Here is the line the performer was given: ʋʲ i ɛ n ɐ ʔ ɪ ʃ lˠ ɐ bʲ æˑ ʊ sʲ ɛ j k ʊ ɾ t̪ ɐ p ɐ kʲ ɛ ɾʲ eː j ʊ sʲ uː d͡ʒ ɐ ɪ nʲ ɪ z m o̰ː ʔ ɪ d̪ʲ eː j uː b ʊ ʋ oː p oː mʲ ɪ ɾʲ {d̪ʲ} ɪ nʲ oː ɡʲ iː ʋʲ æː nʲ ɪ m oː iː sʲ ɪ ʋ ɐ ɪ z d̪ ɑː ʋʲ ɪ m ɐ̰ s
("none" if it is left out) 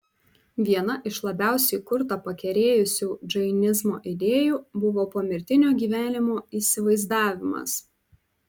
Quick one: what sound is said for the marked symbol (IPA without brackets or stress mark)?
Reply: t̪ʲ